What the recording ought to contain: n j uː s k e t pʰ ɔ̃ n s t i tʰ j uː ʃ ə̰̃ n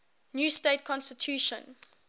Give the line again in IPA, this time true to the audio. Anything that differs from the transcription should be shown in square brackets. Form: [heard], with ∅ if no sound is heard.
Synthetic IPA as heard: n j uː s [t] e t [kʰ] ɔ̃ n s t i tʰ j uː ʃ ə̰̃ n